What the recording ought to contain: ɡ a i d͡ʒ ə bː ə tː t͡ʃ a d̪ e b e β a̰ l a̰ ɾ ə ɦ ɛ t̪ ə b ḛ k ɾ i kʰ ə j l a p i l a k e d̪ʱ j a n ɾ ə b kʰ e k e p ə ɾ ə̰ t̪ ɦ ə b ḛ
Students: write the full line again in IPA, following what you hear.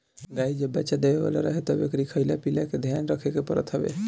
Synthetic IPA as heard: ɡ a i d͡ʒ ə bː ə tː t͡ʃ a d̪ e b e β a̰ l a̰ ɾ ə ɦ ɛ t̪ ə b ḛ k ɾ i kʰ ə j l a p i l a k e d̪ʱ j a n ɾ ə kʰ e k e p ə ɾ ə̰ t̪ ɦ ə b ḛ